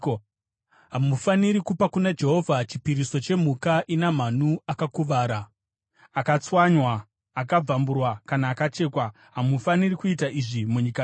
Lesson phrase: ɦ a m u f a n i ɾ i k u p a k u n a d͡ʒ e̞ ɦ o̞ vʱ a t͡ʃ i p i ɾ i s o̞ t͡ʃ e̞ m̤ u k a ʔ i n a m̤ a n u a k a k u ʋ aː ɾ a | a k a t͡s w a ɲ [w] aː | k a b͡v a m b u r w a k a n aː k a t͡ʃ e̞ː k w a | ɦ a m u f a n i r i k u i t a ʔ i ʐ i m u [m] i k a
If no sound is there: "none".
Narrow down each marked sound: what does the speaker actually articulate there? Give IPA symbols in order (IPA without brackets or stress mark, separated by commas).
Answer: w, ɲ